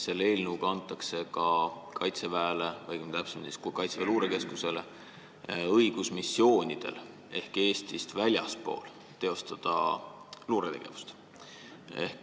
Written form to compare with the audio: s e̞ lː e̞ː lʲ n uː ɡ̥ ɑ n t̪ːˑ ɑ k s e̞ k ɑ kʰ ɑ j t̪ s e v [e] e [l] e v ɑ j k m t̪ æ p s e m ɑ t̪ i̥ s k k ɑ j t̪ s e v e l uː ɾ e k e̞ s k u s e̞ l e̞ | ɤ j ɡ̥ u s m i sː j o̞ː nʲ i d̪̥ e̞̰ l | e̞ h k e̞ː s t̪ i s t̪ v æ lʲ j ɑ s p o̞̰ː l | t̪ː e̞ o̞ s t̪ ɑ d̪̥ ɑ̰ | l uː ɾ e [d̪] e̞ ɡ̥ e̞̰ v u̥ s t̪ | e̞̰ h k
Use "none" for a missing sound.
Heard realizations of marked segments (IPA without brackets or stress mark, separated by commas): æ, l, t̪